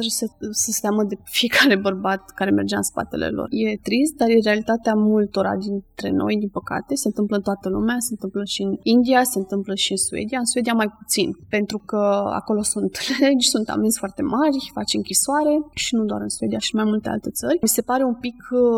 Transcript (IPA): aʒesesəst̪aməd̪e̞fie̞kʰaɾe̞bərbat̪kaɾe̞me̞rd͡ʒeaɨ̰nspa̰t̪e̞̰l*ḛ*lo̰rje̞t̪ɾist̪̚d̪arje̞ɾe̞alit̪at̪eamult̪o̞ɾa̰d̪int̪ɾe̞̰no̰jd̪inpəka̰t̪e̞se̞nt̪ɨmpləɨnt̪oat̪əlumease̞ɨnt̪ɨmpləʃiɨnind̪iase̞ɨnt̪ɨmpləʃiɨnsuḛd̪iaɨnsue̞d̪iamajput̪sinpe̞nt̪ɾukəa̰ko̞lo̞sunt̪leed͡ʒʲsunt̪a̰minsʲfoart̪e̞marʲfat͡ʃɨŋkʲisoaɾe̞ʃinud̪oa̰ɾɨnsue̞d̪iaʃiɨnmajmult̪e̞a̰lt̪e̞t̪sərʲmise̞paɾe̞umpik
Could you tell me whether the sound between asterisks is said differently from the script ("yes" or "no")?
no